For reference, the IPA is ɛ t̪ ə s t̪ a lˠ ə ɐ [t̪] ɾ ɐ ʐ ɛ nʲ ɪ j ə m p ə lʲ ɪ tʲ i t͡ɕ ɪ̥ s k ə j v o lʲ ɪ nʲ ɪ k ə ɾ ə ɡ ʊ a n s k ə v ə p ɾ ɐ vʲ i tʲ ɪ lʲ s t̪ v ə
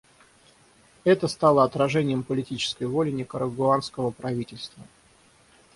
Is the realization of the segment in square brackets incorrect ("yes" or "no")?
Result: no